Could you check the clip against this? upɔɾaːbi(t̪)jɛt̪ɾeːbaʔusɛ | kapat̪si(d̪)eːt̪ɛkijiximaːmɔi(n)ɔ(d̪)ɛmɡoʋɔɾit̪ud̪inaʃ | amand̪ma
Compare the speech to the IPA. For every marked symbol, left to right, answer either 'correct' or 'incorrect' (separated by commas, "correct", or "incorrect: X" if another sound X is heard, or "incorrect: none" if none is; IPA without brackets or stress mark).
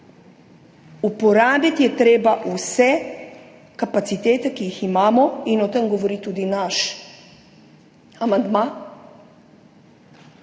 correct, incorrect: t̪, correct, incorrect: t̪